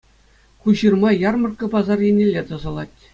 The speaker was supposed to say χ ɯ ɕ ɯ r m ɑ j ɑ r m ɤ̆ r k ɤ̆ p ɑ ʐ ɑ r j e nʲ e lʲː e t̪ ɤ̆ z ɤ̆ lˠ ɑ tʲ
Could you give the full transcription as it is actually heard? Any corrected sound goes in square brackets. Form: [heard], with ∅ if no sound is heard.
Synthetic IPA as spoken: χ [u] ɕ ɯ r m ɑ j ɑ r m ɤ̆ r k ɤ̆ p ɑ [z] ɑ r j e nʲ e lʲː e t̪ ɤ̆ z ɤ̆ lˠ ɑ tʲ

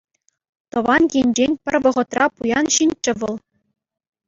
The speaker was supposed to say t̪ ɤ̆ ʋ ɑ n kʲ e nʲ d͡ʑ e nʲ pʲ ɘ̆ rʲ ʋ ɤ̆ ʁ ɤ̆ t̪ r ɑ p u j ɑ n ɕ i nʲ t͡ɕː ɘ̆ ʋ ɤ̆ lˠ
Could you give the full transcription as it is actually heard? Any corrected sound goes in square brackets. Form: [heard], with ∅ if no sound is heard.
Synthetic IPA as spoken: t̪ ɤ̆ ʋ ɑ n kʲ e nʲ d͡ʑ e nʲ pʲ ɘ̆ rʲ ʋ ɤ̆ ʁ ɤ̆ t̪ r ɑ p u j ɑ n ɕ i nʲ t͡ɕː ɘ̆ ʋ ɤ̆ lˠ

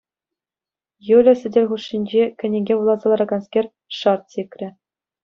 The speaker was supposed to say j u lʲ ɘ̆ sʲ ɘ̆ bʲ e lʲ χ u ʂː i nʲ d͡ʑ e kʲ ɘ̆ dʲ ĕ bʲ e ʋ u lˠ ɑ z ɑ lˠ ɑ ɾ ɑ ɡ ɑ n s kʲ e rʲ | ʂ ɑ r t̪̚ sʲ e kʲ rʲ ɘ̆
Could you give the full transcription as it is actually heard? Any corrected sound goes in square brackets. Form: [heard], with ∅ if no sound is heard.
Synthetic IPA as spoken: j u lʲ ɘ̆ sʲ ɘ̆ [dʲ] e lʲ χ u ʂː i nʲ d͡ʑ e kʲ ɘ̆ [nʲ] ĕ [ɡʲ] e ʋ u lˠ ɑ z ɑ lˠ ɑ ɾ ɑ ɡ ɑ n s kʲ e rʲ | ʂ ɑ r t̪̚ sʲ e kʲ rʲ ɘ̆

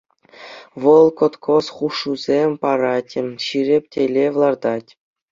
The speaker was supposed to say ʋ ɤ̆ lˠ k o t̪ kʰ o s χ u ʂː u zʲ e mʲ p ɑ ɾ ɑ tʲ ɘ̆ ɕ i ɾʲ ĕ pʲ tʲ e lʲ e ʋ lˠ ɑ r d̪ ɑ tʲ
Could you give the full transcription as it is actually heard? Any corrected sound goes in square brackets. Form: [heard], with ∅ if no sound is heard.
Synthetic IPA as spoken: ʋ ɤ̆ lˠ k o t̪ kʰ o s χ u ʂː u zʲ e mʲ p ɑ ɾ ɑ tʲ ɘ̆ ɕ i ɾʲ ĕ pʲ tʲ e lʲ e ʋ lˠ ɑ r d̪ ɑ tʲ

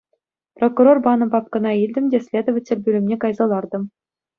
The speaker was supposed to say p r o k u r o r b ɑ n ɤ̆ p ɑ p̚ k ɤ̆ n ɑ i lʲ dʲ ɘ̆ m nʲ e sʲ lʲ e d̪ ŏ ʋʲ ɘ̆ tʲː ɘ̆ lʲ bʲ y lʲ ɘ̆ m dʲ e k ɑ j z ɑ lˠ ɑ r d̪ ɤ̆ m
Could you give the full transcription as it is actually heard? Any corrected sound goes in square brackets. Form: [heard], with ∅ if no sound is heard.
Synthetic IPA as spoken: p r o k u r o r b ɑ n ɤ̆ p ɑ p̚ k ɤ̆ n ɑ i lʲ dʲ ɘ̆ m [dʲ] e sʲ lʲ e d̪ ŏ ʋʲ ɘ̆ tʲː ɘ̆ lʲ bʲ y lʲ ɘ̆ m [nʲ] e k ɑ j z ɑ lˠ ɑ r d̪ ɤ̆ m

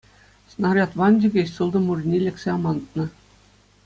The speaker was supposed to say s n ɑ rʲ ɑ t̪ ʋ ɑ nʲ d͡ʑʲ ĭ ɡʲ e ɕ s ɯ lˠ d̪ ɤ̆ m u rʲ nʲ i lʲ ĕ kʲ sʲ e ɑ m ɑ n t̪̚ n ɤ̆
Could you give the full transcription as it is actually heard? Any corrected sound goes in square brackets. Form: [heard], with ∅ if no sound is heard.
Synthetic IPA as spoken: s n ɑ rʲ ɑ t̪ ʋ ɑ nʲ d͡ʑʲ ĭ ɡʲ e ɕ s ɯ lˠ d̪ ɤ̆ m u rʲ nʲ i lʲ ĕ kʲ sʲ e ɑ m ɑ n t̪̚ n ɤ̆

